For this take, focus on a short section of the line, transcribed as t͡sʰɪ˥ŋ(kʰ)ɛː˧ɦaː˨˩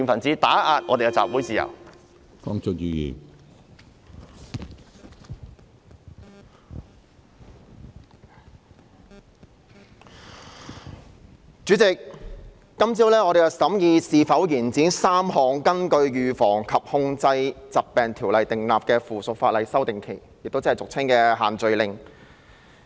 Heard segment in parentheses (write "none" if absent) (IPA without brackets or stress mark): k